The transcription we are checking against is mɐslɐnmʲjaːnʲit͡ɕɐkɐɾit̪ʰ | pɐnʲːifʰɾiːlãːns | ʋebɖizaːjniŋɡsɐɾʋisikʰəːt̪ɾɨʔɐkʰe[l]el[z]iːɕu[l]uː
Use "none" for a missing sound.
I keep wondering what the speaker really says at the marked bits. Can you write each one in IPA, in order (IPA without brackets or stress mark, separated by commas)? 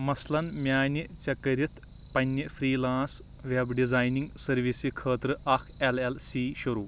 l, s, ɾ